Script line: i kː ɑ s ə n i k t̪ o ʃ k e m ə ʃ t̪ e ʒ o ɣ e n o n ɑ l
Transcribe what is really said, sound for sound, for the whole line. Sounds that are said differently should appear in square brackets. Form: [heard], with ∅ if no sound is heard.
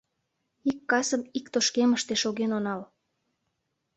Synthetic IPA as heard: i kː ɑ s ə [m] i k t̪ o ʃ k e m ə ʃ t̪ e [ʃ] o ɣ e n o n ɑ l